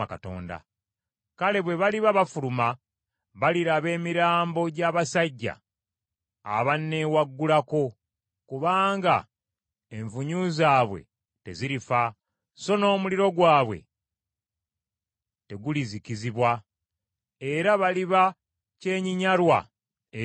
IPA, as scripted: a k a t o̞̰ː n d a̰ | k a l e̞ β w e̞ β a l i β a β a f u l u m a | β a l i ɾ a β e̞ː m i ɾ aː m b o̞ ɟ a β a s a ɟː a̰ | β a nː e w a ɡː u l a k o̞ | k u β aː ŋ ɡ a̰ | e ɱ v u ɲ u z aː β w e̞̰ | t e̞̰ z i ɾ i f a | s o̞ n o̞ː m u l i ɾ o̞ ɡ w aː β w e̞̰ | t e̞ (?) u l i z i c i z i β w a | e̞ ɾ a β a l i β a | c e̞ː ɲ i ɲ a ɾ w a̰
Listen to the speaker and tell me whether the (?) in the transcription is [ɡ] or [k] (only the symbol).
ɡ